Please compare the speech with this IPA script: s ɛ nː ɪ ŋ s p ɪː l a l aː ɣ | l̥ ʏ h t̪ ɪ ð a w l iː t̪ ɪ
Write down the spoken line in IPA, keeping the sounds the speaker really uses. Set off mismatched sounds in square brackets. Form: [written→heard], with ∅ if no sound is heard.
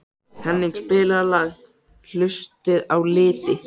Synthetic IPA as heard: [s→h] ɛ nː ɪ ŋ s p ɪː l a l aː ɣ | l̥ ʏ [h→s] t̪ ɪ ð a w l [iː→ɪː] t̪ ɪ